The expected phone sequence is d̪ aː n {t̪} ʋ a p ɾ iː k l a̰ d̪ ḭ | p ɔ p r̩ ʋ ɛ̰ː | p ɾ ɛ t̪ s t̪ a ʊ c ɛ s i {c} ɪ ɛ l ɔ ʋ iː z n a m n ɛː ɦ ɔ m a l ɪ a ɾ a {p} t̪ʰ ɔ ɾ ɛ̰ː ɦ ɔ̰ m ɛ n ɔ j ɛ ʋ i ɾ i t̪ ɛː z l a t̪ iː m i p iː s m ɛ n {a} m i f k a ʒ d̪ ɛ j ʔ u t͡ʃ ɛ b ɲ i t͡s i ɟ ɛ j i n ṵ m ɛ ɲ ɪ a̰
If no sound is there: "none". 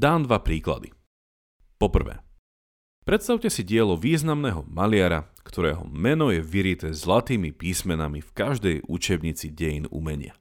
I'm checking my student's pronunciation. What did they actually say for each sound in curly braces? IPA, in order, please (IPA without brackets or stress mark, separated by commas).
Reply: d̪, ɟ, k, a